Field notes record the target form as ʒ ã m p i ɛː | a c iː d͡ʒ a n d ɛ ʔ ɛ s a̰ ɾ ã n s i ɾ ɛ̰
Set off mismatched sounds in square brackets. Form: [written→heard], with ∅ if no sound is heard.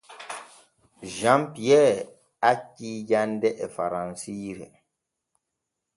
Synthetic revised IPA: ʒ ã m p i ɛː | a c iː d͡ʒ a n d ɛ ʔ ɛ [s→f] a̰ ɾ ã n s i ɾ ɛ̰